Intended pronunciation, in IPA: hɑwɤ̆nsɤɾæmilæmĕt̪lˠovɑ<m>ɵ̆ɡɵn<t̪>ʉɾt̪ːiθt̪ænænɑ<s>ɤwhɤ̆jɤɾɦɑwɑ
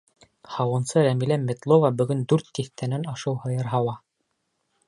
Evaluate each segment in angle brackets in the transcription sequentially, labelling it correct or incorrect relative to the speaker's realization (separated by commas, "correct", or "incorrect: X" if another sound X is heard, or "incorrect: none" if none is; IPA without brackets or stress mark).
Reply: incorrect: b, incorrect: d̪, incorrect: ʃ